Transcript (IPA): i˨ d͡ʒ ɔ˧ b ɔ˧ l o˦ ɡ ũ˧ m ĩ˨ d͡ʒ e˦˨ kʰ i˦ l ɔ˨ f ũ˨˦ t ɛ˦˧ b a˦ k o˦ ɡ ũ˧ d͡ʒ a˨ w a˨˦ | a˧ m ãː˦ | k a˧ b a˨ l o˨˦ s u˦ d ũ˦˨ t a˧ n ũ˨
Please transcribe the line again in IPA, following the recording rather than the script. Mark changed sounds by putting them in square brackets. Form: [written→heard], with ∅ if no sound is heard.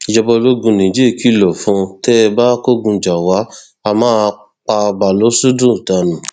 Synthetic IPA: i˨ d͡ʒ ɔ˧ b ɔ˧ l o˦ ɡ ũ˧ [m→n] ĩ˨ d͡ʒ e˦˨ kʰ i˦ l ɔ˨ f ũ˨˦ t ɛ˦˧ b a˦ k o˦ ɡ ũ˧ d͡ʒ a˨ w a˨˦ | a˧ m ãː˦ | [k→k͡p] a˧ b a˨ l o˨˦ s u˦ d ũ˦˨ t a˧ n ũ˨